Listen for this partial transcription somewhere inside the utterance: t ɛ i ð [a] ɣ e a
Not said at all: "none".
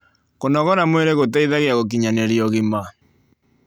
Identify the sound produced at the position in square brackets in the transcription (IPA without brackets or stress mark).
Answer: a